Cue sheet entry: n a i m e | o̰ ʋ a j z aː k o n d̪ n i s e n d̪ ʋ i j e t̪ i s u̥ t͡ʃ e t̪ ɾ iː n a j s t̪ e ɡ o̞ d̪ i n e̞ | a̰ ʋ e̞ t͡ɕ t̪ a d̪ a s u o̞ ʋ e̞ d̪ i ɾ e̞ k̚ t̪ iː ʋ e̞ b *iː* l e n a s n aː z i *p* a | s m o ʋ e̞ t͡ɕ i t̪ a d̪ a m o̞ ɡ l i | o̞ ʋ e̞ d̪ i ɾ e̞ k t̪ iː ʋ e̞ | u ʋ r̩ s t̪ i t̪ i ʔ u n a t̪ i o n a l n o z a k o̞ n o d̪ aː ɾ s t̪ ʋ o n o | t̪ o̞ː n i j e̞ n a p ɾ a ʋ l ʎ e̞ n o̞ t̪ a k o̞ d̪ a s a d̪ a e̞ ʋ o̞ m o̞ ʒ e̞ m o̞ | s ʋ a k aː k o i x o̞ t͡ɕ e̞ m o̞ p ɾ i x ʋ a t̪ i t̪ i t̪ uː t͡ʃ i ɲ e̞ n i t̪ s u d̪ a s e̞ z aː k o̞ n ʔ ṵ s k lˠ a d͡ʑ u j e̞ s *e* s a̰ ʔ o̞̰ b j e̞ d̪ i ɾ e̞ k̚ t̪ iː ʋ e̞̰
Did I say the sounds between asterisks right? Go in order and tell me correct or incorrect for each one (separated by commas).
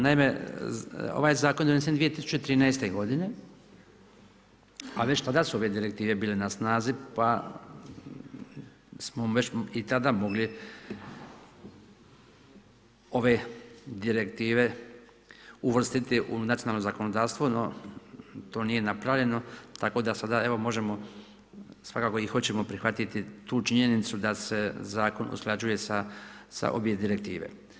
correct, correct, incorrect